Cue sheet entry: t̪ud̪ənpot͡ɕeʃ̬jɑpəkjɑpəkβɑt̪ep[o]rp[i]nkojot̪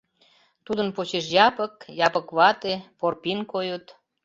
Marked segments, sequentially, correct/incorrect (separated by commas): correct, correct